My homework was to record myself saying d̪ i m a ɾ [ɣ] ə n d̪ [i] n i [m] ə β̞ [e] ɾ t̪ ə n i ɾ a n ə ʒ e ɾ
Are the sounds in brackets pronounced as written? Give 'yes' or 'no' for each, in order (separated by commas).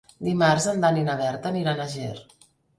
no, no, no, no